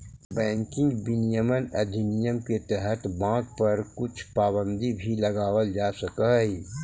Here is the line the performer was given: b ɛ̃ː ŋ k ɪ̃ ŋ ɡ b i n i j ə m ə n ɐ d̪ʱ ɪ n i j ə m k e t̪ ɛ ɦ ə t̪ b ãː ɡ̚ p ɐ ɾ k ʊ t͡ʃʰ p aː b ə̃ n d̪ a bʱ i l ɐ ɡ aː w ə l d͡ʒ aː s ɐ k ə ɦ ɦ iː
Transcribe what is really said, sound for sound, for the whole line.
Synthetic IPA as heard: b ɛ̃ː ŋ k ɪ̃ ŋ ɡ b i n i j ə m ə n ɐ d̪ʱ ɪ n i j ə m k e t̪ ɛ ɦ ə t̪ b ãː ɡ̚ p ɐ ɾ k ʊ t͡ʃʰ p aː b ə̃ n d̪ i bʱ i l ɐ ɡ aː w ə l d͡ʒ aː s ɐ k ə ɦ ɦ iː